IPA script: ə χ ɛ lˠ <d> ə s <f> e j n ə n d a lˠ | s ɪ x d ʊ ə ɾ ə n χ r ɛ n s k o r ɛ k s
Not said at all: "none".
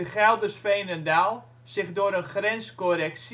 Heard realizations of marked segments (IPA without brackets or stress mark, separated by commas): d, f